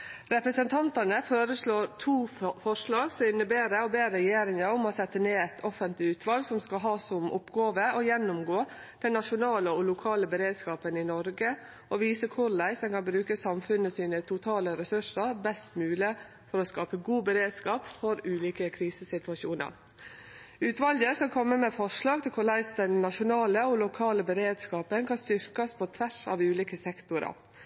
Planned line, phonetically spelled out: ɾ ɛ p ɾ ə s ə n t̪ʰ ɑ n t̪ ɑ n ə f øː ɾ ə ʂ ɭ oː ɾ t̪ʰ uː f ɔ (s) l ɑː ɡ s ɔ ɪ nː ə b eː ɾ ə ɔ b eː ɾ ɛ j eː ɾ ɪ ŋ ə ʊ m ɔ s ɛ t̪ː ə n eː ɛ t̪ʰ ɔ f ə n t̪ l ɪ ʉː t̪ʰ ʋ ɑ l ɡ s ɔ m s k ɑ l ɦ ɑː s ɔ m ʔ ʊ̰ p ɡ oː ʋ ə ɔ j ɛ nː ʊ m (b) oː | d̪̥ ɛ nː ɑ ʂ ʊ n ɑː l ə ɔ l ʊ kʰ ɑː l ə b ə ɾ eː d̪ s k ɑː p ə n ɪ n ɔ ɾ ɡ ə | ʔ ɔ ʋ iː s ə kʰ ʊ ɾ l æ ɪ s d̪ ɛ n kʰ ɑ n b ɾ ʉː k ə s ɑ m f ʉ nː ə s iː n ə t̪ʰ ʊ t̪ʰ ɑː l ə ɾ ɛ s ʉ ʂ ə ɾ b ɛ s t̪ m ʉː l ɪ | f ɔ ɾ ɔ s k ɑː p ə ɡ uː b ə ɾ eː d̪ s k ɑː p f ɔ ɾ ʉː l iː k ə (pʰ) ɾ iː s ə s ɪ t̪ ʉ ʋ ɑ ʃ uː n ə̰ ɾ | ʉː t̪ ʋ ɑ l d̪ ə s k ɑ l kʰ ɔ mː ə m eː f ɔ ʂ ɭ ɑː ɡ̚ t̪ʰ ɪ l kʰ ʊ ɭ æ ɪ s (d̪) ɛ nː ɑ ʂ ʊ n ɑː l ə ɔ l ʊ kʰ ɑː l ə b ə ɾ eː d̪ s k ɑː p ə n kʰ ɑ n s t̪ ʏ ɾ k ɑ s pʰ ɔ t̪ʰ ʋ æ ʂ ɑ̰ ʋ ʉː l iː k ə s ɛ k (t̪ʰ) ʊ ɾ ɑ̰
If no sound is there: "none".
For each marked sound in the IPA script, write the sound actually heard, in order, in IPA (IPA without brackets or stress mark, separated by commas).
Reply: ʂ, ɡ, kʰ, d̪, t̪